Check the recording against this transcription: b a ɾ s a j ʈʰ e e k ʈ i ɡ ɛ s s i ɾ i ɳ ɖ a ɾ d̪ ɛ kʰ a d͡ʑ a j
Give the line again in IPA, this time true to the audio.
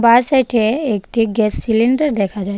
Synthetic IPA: b a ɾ s a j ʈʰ e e k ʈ i ɡ ɛ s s i l i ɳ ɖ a ɾ d̪ ɛ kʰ a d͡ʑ a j